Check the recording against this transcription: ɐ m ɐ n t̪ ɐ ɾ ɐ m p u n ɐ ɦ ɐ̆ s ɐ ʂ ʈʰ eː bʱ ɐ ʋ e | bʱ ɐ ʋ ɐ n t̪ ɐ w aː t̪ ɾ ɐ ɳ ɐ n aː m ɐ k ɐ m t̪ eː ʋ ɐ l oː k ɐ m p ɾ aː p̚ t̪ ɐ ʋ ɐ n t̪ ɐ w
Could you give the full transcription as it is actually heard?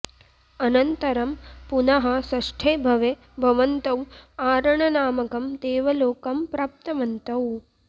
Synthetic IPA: ɐ n ɐ n t̪ ɐ ɾ ɐ m p u n ɐ ɦ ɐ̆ s ɐ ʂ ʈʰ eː bʱ ɐ ʋ e | bʱ ɐ ʋ ɐ n t̪ ɐ w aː ɾ ɐ ɳ ɐ n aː m ɐ k ɐ m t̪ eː ʋ ɐ l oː k ɐ m p ɾ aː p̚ t̪ ɐ ʋ ɐ n t̪ ɐ w